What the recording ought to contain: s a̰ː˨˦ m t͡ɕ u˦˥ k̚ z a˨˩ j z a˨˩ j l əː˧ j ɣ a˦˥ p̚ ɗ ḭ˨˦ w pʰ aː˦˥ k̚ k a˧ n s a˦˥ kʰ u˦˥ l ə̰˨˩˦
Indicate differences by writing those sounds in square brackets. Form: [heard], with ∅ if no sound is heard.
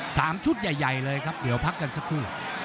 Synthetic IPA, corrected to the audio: s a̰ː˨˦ m t͡ɕ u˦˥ [t̚] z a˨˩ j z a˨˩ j l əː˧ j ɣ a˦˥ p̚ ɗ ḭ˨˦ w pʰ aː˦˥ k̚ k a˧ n s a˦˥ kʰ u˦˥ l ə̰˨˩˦